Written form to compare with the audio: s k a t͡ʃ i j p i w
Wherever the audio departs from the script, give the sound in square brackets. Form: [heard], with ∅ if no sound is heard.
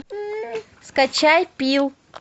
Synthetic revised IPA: s k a t͡ʃ [a] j p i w